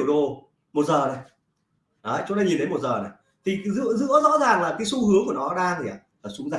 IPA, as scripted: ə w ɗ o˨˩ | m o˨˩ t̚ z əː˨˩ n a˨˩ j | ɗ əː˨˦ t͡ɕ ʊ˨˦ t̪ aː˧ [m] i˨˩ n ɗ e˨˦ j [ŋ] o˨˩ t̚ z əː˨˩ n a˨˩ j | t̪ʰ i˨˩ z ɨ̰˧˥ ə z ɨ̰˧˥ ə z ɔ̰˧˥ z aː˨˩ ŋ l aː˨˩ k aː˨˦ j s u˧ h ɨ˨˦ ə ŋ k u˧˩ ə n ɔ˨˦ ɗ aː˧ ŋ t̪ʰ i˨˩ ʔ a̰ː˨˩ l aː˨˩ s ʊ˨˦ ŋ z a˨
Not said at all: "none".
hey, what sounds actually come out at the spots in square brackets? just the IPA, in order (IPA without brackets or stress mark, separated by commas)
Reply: ɲ, m